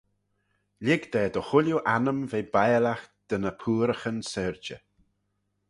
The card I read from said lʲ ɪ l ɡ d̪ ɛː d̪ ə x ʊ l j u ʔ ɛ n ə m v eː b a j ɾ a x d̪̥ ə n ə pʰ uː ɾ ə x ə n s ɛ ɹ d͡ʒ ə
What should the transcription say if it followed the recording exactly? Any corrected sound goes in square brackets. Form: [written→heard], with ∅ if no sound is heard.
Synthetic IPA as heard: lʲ ɪ [l→∅] ɡ d̪ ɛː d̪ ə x ʊ l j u ʔ [ɛ→a] n ə m v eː b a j [ɾ→l] a x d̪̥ ə n ə pʰ uː ɾ ə x ə n s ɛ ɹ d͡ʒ ə

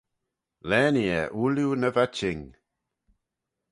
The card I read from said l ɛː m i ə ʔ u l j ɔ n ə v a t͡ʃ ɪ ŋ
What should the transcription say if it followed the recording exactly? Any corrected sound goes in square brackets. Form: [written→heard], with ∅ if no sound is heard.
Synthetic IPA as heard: l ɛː [m→n] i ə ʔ u l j [ɔ→u] n ə v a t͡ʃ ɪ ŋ

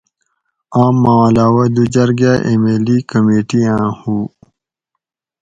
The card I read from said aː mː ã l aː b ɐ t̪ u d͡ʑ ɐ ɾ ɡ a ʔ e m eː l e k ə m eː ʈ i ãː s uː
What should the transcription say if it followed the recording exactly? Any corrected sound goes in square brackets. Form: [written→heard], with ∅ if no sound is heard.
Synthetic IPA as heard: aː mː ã l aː [b→w] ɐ [t̪→d̪] u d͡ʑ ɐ ɾ ɡ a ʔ e m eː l [e→i] k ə m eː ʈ i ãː [s→h] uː

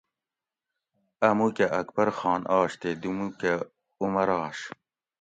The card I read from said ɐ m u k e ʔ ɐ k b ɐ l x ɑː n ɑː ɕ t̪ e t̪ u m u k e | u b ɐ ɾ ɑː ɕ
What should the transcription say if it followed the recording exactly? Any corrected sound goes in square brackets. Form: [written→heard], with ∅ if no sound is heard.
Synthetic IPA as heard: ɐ m u k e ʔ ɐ k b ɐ [l→ɾ] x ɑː n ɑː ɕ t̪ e [t̪→d̪] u m u k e | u [b→m] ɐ ɾ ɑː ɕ

